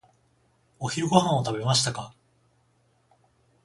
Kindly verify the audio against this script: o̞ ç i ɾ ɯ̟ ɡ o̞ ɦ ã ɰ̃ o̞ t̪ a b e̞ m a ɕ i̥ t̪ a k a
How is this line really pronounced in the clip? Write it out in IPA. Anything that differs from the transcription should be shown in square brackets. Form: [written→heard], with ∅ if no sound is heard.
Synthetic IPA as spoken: o̞ ç i ɾ ɯ̟ ɡ o̞ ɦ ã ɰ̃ o̞ t̪ a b e̞ m a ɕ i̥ t̪ a k a